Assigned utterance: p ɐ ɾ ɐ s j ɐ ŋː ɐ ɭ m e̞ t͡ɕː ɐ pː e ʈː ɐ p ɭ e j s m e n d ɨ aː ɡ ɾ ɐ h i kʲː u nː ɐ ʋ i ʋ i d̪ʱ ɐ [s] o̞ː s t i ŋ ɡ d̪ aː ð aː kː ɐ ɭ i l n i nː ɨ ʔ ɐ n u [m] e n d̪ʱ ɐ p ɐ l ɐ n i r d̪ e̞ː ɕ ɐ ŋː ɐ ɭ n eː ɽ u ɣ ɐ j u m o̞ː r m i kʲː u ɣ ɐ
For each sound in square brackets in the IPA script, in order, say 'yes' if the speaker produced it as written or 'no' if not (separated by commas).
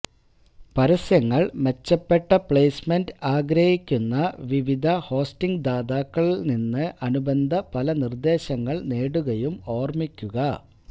no, no